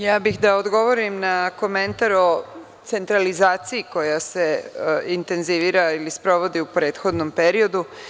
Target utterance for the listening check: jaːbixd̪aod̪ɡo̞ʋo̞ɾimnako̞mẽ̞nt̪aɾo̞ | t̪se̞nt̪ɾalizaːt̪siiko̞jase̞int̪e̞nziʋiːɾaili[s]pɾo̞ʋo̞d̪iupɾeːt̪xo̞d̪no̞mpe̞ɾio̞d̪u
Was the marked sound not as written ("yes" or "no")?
no